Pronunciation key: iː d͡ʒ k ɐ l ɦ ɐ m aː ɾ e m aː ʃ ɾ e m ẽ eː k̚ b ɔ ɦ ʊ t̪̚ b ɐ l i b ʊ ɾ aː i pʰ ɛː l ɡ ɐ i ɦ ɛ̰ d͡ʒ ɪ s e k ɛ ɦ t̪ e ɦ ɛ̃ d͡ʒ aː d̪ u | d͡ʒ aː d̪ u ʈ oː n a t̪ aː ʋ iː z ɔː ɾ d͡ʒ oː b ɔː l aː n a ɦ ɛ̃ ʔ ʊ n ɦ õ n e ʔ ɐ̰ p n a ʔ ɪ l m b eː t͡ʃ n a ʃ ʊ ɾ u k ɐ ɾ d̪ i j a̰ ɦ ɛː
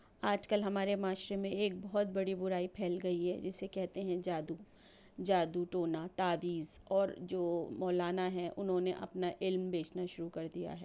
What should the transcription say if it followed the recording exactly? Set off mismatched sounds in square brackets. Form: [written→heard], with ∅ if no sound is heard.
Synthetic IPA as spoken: [iː→aː] d͡ʒ k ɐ l ɦ ɐ m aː ɾ e m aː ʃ ɾ e m ẽ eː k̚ b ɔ ɦ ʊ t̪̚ b ɐ [l→ɽ] i b ʊ ɾ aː i pʰ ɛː l ɡ ɐ i ɦ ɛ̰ d͡ʒ ɪ s e k ɛ ɦ t̪ e ɦ ɛ̃ d͡ʒ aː d̪ u | d͡ʒ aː d̪ u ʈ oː n a t̪ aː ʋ iː z ɔː ɾ d͡ʒ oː [b→m] ɔː l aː n a ɦ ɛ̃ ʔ ʊ n ɦ õ n e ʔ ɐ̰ p n a ʔ ɪ l m b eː t͡ʃ n a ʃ ʊ ɾ u k ɐ ɾ d̪ i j a̰ ɦ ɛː